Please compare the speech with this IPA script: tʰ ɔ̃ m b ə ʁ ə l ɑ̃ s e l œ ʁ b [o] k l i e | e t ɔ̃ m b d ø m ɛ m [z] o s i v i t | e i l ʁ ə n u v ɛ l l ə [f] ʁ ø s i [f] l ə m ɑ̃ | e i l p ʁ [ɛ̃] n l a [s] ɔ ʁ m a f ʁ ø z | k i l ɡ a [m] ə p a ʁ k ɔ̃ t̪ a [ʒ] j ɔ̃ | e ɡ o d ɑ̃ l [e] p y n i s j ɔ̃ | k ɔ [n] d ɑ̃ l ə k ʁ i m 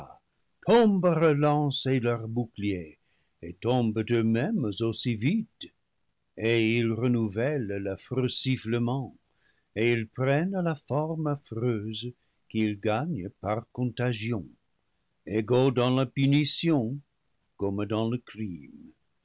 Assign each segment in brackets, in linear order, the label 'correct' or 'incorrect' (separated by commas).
incorrect, correct, correct, correct, incorrect, incorrect, incorrect, correct, incorrect, incorrect